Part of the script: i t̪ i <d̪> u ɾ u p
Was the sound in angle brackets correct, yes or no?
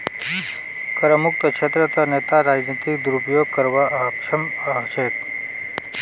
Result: yes